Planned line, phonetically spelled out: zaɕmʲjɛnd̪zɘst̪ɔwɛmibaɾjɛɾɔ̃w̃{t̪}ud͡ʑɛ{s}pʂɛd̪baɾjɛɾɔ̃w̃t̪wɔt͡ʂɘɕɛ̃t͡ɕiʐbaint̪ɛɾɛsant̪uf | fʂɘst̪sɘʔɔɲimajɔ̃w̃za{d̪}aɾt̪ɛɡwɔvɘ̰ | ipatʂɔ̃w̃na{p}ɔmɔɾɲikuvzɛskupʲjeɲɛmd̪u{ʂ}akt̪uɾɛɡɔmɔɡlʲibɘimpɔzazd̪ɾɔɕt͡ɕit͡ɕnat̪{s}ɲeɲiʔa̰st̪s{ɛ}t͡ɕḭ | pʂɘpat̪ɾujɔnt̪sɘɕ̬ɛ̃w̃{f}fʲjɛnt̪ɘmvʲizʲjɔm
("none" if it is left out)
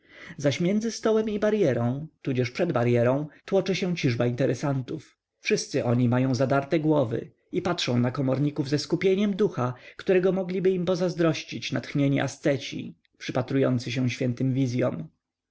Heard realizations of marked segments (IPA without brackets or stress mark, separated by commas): t̪, ʂ, d̪, k, x, x, ɛ, ɕ